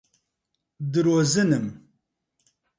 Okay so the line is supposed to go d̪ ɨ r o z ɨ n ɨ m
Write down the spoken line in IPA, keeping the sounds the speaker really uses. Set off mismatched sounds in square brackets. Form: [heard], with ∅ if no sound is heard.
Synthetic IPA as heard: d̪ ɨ [ɾ] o z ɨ n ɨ m